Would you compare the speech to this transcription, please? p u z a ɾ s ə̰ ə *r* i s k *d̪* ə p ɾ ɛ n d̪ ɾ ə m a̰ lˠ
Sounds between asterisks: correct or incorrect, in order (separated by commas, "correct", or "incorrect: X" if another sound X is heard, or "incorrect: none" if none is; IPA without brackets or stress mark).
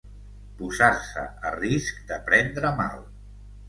correct, correct